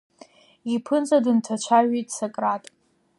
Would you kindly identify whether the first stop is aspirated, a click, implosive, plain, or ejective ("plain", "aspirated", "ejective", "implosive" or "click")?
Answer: aspirated